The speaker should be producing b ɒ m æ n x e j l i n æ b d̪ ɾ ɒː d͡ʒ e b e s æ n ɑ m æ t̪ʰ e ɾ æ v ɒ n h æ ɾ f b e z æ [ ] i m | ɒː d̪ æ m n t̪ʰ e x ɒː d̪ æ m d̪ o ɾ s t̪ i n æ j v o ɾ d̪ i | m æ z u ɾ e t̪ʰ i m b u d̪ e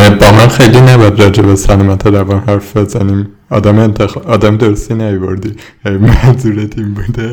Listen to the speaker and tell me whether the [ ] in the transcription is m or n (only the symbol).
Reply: n